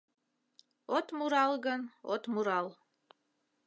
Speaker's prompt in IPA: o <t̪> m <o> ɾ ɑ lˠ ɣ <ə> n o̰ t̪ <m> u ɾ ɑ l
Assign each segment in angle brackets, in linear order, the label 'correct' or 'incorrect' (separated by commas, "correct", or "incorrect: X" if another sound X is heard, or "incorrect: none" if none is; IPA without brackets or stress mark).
correct, incorrect: u, correct, correct